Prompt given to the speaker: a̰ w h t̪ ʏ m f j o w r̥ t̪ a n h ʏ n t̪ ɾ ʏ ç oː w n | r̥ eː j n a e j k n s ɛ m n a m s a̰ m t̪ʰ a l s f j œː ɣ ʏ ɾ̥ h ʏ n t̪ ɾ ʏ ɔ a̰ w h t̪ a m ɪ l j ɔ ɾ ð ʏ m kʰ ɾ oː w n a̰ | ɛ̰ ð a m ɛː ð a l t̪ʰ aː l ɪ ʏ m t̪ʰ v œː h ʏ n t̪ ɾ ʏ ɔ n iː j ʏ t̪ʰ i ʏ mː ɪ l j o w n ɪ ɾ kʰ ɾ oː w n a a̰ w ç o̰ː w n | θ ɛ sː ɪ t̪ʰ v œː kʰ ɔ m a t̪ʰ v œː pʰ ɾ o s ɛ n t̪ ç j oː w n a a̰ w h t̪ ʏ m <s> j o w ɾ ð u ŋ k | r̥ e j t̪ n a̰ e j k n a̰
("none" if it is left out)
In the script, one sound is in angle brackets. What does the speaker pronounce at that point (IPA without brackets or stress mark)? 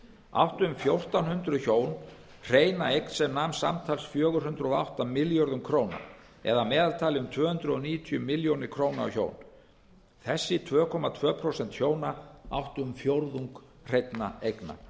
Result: f